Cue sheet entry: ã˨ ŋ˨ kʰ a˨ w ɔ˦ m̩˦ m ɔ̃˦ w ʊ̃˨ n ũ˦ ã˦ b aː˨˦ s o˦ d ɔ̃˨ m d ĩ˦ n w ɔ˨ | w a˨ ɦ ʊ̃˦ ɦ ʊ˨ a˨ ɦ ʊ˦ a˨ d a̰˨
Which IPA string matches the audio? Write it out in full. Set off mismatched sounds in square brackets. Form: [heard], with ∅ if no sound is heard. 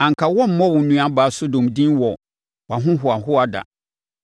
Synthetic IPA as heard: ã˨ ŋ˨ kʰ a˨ w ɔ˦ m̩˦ m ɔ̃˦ w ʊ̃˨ n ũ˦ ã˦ b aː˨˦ s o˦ d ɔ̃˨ m d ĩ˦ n w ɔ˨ | w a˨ ɦ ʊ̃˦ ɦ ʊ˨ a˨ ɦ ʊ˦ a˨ d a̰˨